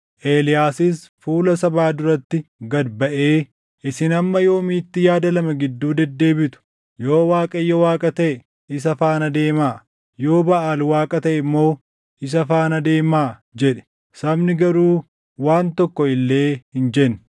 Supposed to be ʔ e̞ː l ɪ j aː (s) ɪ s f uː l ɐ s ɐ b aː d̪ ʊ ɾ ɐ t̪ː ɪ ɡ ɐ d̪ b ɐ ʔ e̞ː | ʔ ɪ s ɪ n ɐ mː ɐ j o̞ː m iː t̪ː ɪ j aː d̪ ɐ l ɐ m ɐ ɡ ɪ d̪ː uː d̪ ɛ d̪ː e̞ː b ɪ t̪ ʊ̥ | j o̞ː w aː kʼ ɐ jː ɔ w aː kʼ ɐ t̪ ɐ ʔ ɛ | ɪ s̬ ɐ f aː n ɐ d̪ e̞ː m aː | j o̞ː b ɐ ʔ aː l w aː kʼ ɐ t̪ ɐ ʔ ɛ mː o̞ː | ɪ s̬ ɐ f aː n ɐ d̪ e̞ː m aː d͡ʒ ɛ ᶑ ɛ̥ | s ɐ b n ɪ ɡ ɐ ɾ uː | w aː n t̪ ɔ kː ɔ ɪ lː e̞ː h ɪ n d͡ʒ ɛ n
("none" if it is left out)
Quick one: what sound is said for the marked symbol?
s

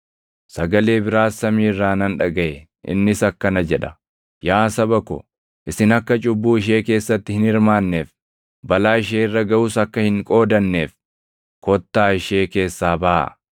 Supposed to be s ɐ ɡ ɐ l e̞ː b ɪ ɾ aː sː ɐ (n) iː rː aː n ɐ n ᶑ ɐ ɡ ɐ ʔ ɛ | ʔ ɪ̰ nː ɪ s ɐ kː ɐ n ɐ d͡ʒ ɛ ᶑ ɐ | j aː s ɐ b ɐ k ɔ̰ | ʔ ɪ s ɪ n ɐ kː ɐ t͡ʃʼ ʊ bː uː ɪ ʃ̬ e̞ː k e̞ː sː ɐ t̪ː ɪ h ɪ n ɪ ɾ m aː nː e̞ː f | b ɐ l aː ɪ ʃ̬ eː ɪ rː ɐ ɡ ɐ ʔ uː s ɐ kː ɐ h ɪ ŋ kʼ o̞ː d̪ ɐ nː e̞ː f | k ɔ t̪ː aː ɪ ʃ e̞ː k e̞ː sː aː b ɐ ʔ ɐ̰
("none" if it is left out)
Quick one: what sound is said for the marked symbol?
m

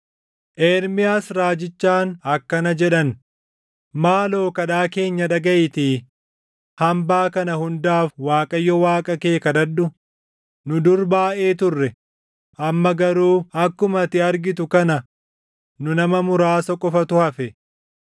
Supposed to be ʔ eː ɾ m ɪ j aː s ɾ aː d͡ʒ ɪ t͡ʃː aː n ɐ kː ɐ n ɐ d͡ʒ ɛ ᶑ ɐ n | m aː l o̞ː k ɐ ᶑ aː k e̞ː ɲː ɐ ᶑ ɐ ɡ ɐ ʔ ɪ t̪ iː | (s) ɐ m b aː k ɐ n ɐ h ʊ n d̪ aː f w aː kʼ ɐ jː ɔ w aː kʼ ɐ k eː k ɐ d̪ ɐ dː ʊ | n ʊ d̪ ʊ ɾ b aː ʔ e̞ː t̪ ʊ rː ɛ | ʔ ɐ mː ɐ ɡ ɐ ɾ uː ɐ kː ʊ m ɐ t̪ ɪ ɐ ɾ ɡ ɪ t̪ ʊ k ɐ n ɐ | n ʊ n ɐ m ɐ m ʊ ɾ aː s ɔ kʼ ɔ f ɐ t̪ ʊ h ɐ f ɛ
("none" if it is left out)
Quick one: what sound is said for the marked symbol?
h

